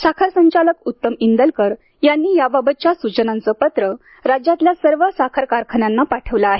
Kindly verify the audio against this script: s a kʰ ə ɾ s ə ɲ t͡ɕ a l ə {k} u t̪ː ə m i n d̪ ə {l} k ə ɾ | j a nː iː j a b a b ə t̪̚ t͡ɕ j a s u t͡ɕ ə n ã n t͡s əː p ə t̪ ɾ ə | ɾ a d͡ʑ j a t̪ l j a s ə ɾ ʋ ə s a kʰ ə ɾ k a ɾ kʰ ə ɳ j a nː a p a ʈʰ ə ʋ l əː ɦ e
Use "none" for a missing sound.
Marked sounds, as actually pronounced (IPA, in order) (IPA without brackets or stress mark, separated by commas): k, l